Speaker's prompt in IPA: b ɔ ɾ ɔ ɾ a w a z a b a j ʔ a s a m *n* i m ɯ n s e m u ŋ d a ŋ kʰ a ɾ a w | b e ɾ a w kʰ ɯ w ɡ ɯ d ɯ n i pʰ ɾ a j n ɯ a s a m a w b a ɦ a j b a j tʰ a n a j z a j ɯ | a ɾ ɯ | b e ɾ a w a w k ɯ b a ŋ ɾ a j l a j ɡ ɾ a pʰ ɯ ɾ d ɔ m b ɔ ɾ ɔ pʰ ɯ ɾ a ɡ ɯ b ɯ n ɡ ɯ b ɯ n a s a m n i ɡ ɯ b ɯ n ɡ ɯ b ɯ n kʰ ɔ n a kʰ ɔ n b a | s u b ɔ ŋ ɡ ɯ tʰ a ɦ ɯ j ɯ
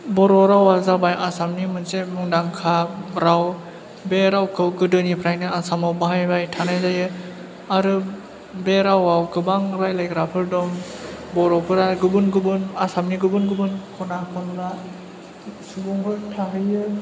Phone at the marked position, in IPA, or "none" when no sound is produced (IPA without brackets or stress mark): n